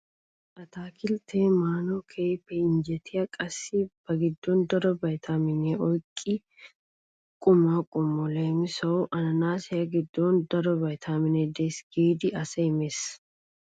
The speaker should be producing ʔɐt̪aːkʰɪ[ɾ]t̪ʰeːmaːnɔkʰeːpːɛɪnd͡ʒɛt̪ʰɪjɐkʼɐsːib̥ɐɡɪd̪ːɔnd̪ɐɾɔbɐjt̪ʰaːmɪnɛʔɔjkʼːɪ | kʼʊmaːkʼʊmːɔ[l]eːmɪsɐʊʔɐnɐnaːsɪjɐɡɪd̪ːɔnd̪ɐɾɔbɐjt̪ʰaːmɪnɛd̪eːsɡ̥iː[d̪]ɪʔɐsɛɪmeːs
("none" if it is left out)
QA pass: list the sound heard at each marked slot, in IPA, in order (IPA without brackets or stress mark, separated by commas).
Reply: l, l, d̪